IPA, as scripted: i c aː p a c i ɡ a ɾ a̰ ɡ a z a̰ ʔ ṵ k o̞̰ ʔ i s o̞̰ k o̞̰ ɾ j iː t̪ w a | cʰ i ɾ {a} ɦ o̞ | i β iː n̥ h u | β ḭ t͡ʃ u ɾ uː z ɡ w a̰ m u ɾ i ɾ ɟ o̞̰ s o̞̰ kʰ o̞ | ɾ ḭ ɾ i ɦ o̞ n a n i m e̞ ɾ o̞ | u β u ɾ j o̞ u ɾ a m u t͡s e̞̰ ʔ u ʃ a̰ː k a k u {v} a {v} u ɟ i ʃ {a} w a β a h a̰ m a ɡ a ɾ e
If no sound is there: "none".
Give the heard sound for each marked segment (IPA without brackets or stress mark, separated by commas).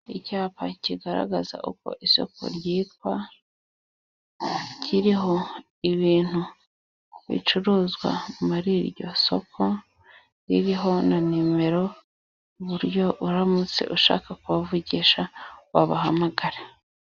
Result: i, β, v, a